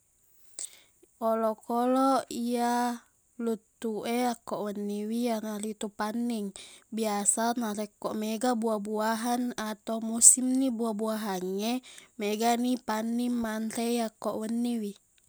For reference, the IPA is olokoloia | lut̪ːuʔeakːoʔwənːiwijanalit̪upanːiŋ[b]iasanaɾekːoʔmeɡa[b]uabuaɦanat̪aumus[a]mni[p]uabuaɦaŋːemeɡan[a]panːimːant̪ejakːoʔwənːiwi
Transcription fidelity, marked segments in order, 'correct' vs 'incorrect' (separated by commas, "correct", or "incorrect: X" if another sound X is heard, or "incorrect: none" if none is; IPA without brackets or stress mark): correct, correct, incorrect: i, incorrect: b, incorrect: i